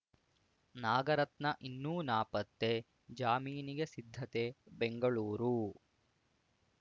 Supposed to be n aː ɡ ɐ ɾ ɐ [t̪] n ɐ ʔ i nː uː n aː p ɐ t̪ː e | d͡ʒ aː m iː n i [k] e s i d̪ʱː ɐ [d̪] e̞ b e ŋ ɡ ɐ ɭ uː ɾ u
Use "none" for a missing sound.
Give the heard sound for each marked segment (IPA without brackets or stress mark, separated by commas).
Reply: t̪, ɡ, t̪